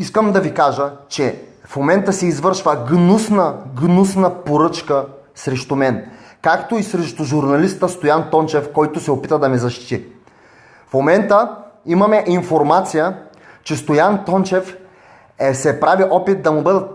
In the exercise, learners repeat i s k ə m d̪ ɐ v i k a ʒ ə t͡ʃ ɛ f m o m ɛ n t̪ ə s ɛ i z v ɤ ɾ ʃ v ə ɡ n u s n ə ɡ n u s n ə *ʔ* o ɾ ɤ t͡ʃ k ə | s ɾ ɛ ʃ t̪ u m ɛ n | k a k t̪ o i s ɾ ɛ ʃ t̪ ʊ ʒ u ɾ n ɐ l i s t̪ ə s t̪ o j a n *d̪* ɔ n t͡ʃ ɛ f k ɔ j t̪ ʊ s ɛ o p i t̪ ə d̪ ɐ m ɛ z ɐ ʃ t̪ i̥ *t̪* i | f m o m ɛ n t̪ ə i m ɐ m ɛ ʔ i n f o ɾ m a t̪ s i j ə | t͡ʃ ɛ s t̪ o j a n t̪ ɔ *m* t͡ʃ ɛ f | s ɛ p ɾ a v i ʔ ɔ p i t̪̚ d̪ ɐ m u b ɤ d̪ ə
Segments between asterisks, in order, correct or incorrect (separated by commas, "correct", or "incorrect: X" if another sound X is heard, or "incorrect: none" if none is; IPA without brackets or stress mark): incorrect: p, incorrect: t̪, correct, incorrect: n